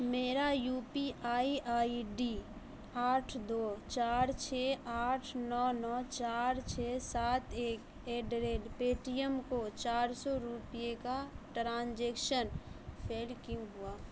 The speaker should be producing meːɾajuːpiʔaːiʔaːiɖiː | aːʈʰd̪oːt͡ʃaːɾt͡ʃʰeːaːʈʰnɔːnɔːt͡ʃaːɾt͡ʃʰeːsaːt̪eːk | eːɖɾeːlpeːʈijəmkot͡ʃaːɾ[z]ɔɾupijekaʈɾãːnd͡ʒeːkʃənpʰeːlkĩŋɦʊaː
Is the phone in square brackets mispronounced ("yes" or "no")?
yes